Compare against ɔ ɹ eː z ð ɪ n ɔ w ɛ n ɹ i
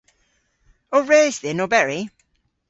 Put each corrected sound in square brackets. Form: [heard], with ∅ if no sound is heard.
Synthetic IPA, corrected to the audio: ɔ ɹ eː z ð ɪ n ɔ [b] ɛ [∅] ɹ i

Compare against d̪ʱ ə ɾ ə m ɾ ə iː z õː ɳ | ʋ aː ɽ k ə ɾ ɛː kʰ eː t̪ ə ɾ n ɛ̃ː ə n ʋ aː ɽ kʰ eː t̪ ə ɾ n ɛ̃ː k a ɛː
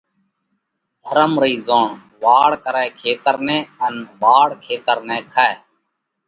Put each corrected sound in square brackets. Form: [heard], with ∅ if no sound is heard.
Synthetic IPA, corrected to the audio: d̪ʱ ə ɾ ə m ɾ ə iː z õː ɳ | ʋ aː ɽ k ə ɾ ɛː kʰ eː t̪ ə ɾ n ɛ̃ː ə n ʋ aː ɽ kʰ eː t̪ ə ɾ n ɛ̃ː [kʰ] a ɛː

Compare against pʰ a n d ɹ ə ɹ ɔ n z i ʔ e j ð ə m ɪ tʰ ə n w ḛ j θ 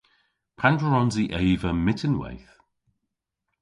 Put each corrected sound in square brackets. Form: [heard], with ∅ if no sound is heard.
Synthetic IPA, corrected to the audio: pʰ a n d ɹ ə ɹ ɔ n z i ʔ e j [v] ə m ɪ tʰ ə n w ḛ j θ

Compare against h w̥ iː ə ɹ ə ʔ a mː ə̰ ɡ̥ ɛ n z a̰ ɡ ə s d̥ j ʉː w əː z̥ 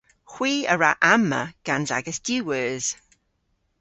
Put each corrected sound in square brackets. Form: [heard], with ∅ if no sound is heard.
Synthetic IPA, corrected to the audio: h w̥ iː ə ɹ [a] ʔ a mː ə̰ ɡ̥ [a] n z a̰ ɡ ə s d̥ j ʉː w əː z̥

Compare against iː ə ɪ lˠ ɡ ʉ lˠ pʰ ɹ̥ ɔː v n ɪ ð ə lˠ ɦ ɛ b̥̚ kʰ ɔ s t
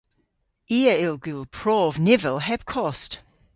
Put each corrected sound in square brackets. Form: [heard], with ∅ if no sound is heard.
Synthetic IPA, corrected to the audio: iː ə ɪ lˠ ɡ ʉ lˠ pʰ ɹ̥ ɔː v n ɪ [v] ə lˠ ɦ ɛ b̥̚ kʰ ɔ s t

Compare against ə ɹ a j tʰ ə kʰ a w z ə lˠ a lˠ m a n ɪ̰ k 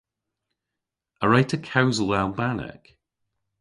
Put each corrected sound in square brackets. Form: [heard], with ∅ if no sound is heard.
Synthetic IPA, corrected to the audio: ə ɹ a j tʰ ə kʰ a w z ə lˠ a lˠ [b] a n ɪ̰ k

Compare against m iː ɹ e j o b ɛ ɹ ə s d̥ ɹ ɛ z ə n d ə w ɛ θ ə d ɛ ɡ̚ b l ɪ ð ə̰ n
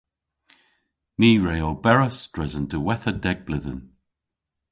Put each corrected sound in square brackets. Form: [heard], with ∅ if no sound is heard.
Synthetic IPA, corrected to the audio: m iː ɹ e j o b ɛ ɹ ə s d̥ ɹ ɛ z ə n d ə w ɛ θ ə d ɛ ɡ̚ b l ɪ ð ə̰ n

